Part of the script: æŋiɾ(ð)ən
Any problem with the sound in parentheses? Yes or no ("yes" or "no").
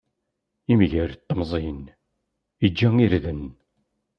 no